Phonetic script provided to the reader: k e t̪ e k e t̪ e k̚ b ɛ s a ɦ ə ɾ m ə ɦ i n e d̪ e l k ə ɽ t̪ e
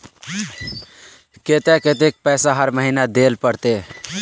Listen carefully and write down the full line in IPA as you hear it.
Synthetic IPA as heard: k e t̪ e k e t̪ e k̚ p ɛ s a ɦ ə ɾ m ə ɦ i n a d̪ e l p ə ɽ t̪ e